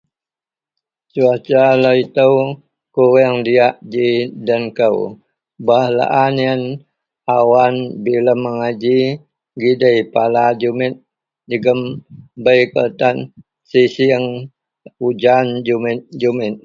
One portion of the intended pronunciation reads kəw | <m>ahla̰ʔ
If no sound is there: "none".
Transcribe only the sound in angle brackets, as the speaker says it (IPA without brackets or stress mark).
b